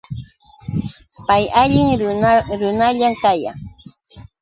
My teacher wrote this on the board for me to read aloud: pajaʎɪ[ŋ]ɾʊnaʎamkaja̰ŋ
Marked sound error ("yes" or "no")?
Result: no